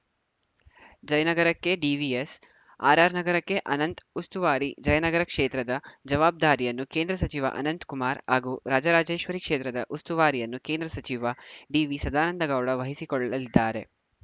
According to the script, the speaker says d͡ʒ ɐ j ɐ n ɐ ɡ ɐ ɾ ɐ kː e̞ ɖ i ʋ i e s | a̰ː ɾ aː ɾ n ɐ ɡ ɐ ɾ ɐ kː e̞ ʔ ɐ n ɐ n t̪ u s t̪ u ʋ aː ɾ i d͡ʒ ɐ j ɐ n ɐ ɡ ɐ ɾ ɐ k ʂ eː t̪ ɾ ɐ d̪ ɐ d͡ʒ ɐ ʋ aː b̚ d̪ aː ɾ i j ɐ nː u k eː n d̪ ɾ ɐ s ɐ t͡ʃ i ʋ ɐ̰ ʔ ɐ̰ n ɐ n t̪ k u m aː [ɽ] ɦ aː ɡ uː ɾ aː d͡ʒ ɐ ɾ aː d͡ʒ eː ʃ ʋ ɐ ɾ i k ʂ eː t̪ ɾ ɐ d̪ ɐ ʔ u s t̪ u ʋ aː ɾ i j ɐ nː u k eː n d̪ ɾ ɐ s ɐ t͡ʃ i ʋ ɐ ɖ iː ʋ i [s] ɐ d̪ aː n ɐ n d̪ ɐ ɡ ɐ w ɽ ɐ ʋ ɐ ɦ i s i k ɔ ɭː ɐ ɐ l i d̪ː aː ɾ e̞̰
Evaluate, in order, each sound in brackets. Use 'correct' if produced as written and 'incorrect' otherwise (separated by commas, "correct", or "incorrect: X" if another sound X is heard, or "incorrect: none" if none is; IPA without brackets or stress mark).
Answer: incorrect: ɾ, correct